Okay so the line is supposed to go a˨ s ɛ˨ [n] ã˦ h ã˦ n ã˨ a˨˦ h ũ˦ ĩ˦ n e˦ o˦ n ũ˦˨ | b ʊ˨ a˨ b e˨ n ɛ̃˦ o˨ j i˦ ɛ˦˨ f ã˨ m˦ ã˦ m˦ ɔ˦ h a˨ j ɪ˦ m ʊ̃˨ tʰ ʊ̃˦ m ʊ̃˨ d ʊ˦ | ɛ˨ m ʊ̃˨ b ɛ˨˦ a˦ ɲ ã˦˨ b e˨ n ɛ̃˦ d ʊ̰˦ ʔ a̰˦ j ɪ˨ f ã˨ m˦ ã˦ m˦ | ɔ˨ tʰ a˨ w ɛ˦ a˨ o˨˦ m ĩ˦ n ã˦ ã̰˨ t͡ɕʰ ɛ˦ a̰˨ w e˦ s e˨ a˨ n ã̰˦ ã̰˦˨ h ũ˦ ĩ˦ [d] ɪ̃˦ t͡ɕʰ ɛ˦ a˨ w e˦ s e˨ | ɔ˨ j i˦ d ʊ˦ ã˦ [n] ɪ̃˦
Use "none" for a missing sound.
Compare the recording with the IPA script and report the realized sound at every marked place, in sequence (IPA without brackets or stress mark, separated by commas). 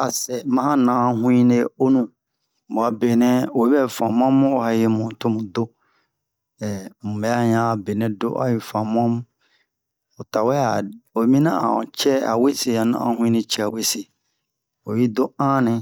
m, n, n